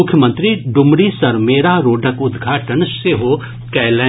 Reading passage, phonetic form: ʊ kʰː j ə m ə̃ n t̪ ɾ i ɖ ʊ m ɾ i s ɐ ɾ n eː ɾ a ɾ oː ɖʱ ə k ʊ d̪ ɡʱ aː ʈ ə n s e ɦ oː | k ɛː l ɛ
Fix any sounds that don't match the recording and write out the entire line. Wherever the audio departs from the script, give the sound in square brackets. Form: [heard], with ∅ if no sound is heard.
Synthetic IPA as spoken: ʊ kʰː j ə m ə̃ n t̪ ɾ i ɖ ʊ m ɾ i s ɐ ɾ [m] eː ɾ a ɾ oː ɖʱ ə k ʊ d̪ ɡʱ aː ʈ ə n s e ɦ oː | k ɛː l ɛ